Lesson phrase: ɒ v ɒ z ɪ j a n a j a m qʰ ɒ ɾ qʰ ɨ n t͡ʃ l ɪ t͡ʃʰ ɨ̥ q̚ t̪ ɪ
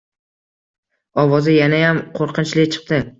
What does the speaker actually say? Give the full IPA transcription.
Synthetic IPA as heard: ɒ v ɒ z ɪ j a n a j a m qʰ o ɾ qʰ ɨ n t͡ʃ l ɪ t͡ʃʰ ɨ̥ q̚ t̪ ɪ